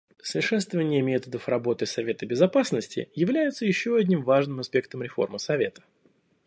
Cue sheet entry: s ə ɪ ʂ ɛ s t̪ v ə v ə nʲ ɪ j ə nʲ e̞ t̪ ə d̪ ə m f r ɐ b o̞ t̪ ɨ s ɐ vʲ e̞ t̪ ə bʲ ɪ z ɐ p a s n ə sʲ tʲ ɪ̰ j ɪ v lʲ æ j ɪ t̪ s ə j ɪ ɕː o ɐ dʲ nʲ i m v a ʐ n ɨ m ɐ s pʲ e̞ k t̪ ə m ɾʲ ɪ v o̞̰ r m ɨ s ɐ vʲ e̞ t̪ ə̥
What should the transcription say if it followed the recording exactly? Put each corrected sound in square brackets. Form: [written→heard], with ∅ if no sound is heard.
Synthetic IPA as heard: s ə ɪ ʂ ɛ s t̪ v ə v ə nʲ ɪ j ə [nʲ→mʲ] e̞ t̪ ə d̪ ə [m→∅] f r ɐ b o̞ t̪ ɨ s ɐ vʲ e̞ t̪ ə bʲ ɪ z ɐ p a s n ə sʲ tʲ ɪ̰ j ɪ v lʲ æ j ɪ t̪ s ə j ɪ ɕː o ɐ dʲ nʲ i m v a ʐ n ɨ m ɐ s pʲ e̞ k t̪ ə m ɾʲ ɪ [v→f] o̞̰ r m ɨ s ɐ vʲ e̞ t̪ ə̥